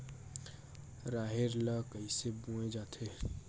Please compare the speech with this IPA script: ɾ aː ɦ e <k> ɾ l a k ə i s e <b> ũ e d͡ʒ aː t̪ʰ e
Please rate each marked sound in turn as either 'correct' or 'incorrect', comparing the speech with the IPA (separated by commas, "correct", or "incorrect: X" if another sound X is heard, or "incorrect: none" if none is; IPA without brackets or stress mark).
incorrect: none, correct